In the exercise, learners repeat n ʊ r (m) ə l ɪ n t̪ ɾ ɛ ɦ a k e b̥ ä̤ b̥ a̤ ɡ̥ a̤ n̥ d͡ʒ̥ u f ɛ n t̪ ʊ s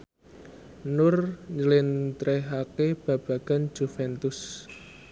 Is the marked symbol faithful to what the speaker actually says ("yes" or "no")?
no